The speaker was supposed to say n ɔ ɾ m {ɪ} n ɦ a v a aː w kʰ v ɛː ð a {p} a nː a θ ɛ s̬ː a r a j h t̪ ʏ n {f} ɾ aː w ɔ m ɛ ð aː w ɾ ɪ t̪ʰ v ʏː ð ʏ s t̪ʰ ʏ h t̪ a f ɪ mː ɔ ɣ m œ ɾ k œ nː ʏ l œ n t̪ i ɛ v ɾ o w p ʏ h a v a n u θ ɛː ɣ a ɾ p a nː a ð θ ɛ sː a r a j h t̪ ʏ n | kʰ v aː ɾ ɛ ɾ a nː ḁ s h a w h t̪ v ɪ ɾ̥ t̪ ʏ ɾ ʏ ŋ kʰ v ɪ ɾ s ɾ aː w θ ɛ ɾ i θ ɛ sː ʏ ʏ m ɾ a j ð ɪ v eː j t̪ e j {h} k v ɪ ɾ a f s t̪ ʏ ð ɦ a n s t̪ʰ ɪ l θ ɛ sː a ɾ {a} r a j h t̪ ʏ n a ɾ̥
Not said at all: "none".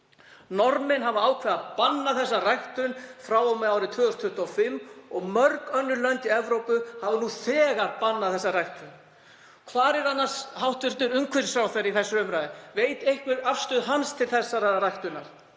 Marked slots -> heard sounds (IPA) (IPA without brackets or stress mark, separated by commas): ɪ, p, f, h, a